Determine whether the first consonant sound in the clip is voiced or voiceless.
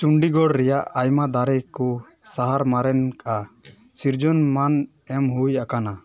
voiceless